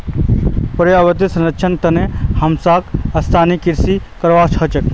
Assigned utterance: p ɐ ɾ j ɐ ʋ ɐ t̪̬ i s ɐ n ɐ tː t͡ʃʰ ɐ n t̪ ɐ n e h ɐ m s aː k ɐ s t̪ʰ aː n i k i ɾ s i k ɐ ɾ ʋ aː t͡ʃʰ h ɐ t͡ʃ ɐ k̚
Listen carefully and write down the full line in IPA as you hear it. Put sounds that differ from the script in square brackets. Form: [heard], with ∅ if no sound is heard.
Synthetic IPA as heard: p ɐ ɾ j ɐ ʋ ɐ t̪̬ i s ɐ n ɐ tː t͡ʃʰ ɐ n t̪ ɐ n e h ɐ m s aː k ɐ s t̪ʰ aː n i k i ɾ s i k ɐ ɾ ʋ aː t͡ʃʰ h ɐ t͡ʃ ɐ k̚